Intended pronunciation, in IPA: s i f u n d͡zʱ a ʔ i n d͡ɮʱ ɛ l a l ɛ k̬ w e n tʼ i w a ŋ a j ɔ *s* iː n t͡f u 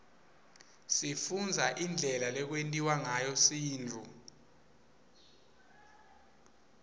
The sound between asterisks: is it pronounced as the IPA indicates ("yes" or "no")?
yes